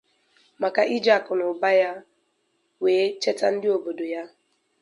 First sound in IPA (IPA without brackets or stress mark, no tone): m